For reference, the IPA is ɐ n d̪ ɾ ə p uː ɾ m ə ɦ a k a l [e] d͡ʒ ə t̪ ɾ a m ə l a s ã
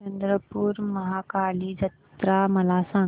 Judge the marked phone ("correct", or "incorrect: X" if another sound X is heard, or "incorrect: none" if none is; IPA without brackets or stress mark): incorrect: i